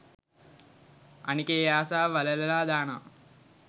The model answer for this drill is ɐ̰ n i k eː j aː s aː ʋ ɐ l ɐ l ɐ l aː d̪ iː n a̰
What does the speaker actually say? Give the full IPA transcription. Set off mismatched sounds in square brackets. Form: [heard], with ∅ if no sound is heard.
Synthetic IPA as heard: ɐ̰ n i k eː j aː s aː ʋ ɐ l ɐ l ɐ l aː d̪ [aː] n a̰